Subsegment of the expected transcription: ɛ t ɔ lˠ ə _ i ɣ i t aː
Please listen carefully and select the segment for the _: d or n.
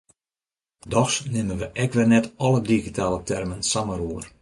d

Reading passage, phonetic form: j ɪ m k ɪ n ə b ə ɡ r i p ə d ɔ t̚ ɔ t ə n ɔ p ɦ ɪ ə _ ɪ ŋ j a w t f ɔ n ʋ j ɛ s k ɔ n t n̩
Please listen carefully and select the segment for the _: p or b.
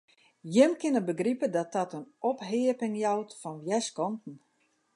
p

